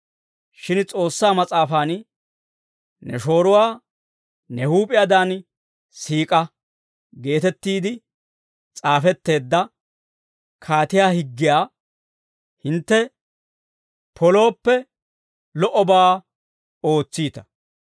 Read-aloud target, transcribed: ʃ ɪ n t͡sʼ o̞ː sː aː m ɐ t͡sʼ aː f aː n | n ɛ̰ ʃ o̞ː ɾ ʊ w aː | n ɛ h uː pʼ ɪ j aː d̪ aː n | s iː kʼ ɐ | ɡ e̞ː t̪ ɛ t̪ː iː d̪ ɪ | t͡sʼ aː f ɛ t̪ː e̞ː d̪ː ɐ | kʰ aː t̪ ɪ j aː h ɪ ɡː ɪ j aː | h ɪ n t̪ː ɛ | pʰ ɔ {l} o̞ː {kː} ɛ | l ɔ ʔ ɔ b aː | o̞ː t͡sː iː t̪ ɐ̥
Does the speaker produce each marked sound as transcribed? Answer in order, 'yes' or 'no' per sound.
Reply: yes, no

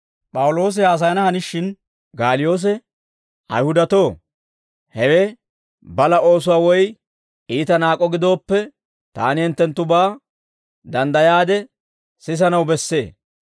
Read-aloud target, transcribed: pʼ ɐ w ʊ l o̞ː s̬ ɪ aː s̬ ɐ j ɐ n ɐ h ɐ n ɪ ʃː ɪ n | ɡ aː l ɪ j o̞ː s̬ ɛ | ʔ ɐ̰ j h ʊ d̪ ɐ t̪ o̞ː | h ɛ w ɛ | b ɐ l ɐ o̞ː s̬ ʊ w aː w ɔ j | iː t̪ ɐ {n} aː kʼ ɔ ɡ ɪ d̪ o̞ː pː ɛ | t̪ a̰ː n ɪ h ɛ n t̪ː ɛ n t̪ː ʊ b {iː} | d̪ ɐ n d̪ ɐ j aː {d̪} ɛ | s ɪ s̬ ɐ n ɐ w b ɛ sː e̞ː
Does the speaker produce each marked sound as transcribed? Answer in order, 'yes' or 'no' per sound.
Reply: yes, no, yes

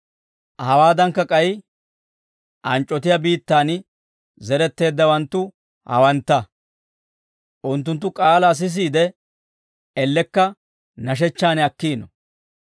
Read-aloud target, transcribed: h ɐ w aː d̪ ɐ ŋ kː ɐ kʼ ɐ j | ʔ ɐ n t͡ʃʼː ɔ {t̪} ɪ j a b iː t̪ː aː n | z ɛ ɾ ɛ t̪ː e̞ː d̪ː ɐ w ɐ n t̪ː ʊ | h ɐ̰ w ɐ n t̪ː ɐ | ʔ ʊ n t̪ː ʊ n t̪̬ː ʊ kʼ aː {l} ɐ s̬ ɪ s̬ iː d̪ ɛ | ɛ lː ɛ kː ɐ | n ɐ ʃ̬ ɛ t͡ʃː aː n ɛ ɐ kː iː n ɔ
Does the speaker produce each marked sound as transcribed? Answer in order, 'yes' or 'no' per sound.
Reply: yes, yes

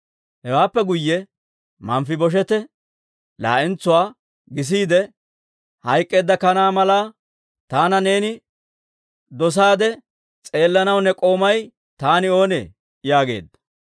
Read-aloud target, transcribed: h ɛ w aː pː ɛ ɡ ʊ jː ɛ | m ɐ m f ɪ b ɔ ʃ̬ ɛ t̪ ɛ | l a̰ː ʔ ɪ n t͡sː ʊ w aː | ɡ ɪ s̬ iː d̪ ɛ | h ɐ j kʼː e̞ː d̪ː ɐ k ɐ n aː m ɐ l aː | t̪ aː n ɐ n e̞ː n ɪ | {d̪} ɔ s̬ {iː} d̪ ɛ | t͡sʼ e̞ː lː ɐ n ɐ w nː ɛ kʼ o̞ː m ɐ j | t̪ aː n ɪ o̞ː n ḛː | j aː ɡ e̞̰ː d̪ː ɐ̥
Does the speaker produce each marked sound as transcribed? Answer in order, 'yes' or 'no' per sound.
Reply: yes, no

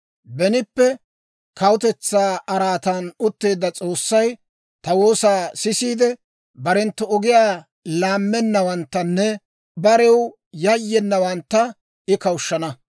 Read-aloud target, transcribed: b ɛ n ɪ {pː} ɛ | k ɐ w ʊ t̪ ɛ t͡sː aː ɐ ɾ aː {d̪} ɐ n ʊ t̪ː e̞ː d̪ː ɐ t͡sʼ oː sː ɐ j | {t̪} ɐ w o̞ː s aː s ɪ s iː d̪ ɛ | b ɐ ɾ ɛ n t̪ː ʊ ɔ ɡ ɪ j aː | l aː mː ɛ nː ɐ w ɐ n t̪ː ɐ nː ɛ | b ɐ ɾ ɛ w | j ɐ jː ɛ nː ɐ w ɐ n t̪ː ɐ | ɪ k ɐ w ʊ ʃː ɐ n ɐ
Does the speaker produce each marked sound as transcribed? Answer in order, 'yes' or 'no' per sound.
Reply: yes, no, yes

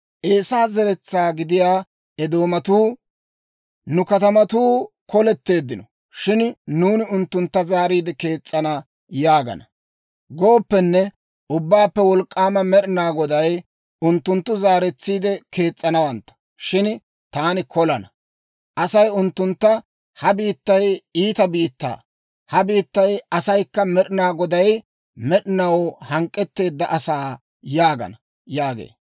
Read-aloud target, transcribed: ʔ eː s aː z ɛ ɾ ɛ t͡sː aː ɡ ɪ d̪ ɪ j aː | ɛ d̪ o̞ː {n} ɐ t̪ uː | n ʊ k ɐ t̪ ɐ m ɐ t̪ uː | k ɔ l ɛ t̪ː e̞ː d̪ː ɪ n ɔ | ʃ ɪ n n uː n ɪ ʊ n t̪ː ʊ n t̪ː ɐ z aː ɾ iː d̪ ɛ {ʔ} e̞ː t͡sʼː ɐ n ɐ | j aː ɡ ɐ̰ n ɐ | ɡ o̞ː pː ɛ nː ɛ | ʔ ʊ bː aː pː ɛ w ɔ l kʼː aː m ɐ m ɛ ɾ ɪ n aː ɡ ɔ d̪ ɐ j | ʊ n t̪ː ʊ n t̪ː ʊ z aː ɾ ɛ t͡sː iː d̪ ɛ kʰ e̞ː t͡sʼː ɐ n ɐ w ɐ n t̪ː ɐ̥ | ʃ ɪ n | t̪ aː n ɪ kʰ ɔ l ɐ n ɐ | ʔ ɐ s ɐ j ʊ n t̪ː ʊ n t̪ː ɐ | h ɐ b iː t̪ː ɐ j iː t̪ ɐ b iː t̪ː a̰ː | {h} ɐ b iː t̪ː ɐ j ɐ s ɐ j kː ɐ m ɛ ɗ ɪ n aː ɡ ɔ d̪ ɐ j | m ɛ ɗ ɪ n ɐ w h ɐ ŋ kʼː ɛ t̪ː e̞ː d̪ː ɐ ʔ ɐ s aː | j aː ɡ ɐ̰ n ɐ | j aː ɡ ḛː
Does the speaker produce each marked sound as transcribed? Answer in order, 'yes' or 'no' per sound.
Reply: no, no, yes

